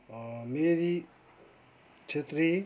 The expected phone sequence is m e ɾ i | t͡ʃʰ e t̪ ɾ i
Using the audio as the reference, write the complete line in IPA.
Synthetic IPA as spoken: m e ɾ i | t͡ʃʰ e t̪ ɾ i

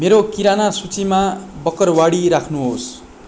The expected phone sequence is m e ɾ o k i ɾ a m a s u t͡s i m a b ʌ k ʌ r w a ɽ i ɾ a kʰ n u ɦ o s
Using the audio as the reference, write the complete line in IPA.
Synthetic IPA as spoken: m e ɾ o k i ɾ a n a s u t͡s i m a b ʌ k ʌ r w a ɽ i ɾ a kʰ n u ɦ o s

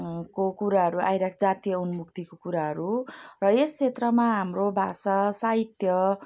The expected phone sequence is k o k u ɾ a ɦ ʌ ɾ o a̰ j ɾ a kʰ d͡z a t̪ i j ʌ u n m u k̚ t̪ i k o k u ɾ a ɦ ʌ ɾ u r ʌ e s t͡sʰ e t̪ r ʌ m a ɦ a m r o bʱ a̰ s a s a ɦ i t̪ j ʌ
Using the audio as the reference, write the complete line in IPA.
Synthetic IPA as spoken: k o k u ɾ a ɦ ʌ ɾ u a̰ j ɾ a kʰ d͡z a t̪ i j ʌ u n m u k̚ t̪ i k o k u ɾ a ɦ ʌ ɾ u r ʌ e s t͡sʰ e t̪ r ʌ m a ɦ a m r o bʱ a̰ s a s a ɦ i t̪ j ʌ

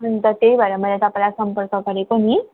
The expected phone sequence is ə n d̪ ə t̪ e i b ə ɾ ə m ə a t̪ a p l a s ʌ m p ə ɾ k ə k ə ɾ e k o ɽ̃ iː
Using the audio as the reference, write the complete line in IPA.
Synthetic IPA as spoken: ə n t̪ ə t̪ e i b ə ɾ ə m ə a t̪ a p l a s ə m p ə ɾ k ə k ə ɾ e k o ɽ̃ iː

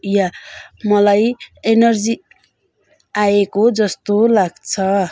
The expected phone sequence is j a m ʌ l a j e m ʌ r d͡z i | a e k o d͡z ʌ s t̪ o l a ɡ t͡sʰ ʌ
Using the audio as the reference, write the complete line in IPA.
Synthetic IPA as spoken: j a m ʌ l a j e n ʌ r d͡z i | a e k o d͡z ʌ s t̪ o l a ɡ t͡sʰ ʌ

